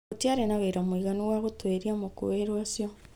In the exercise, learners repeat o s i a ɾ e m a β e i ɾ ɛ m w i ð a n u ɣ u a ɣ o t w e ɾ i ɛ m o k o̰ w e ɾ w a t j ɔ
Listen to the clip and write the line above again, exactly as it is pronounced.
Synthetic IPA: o t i a ɾ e n a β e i ɾ a m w i ɣ a n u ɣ w a ɣ o t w e ɾ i a m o k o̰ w e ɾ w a s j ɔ